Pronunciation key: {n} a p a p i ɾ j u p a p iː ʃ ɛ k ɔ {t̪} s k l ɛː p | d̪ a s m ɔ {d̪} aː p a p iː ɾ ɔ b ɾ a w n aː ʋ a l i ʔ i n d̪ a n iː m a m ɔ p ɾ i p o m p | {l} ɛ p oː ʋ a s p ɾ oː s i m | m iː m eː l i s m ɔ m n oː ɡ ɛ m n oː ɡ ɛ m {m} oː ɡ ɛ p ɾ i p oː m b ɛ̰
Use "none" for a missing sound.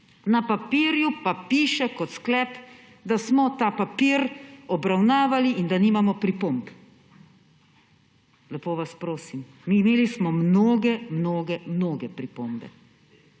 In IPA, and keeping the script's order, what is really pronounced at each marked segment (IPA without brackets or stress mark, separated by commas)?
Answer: n, t̪, t̪, l, n